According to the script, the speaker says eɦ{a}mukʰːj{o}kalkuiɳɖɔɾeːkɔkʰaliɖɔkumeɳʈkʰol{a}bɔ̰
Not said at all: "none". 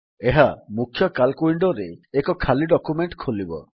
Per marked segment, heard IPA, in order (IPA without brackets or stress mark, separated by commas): a, ɔ, i